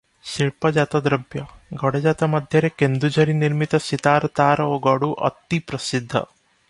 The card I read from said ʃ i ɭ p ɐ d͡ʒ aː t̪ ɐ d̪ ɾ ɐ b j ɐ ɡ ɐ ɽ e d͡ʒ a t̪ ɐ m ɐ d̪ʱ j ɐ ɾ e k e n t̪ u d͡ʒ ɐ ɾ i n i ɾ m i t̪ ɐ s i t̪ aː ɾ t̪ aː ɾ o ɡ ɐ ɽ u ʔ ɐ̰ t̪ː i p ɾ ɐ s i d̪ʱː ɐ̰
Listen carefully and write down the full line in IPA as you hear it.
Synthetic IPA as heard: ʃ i ɭ p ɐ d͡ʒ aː t̪ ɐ d̪ ɾ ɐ b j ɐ ɡ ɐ ɽ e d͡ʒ a t̪ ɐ m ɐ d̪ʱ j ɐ ɾ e k e n d̪ u d͡ʒ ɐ ɾ i n i ɾ m i t̪ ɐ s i t̪ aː ɾ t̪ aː ɾ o ɡ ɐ ɽ u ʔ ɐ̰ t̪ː i p ɾ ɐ s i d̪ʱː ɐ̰

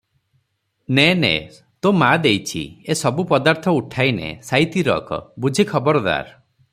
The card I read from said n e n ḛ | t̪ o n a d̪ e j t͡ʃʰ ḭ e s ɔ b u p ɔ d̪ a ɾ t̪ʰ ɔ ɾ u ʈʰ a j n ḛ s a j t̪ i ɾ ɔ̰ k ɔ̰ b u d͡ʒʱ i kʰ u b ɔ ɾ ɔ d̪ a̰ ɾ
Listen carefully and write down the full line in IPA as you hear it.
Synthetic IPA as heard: n e n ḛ | t̪ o m a d̪ e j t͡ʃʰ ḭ e s ɔ b u p ɔ d̪ a ɾ t̪ʰ ɔ u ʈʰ a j n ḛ s a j t̪ i ɾ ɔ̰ k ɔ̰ b u d͡ʒʱ i kʰ ɔ b ɔ ɾ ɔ d̪ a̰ ɾ

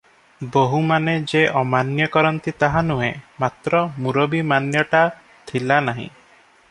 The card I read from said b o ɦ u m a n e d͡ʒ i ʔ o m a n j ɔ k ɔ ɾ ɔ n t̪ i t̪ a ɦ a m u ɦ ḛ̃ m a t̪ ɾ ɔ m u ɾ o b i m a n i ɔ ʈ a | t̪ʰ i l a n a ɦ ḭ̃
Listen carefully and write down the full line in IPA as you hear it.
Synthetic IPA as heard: b o ɦ u m a n e d͡ʒ e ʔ ɔ m a n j ɔ k ɔ ɾ ɔ n t̪ i t̪ a ɦ a n u ɦ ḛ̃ m a t̪ ɾ ɔ m u ɾ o b i m a n j ɔ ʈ a | t̪ʰ i l a n a ɦ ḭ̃

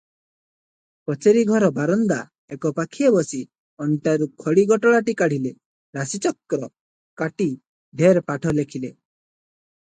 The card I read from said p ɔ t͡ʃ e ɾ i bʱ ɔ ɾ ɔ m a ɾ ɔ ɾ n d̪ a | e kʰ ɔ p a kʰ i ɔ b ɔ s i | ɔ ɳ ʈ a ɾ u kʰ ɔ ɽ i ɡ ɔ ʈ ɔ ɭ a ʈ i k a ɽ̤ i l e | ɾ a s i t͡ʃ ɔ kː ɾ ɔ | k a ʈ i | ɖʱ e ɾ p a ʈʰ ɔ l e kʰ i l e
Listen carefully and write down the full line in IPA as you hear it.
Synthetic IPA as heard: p ɔ t͡ʃ e ɾ i ɡʱ ɔ ɾ ɔ b a ɾ ɔ n d̪ a | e k ɔ p a kʰ i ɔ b ɔ s i | ɔ ɳ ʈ a ɾ u kʰ ɔ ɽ i ɡ ɔ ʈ ɔ ɭ a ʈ i k a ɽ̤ i l e | ɾ a s i t͡ʃ ɔ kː ɾ ɔ | k a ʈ i | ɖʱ e ɾ p a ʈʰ ɔ l e kʰ i l e

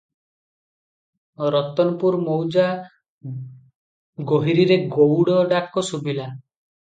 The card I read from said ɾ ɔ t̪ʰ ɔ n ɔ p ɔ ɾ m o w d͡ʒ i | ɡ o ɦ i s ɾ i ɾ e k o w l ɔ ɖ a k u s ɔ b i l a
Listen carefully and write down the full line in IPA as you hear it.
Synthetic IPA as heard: ɾ ɔ t̪ ɔ n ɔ p u ɾ m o w d͡ʒ a | ɡ o ɦ i ɾ i ɾ e ɡ o w ɽ ɔ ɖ a k ɔ s u b i l a

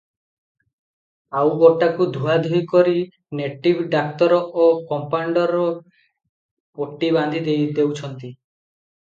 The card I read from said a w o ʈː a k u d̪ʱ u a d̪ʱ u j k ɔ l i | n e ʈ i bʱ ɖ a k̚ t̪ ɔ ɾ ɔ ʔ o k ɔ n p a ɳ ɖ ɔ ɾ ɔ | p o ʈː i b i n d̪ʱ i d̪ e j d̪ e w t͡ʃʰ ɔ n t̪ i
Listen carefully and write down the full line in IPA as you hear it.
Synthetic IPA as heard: a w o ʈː a k u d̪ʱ u a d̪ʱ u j k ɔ ɾ i | n e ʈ i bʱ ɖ a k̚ t̪ ɔ ɾ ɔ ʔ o k ɔ m p a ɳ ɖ ɔ ɾ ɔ | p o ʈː i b a n d̪ʱ i d̪ e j d̪ e w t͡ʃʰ ɔ n t̪ i

